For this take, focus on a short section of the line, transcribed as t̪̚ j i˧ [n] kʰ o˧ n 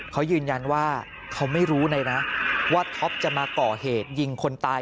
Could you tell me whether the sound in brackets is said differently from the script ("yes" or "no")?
yes